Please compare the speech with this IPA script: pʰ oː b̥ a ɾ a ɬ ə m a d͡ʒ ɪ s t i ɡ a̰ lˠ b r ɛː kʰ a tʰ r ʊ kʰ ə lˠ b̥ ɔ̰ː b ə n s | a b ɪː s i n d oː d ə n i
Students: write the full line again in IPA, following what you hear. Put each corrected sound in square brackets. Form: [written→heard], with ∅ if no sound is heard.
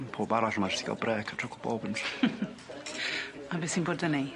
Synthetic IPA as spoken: pʰ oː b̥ a ɾ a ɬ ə m a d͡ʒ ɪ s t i ɡ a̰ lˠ b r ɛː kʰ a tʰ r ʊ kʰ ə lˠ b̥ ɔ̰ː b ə n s | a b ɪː s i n [d→b] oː d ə n i